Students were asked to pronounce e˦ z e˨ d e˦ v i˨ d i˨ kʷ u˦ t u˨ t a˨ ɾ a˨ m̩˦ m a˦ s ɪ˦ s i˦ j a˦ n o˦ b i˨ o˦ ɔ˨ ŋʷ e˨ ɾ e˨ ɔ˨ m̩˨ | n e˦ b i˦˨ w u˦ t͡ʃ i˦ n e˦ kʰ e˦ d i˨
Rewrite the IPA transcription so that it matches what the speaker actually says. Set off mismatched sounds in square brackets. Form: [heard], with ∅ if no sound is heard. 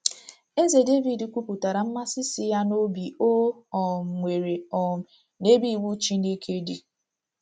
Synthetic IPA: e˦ z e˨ d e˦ v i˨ d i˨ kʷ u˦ [p] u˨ t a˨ ɾ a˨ m̩˦ m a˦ s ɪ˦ s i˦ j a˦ n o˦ b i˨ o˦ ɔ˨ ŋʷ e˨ ɾ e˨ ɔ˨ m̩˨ | n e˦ b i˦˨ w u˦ t͡ʃ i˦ n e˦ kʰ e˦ d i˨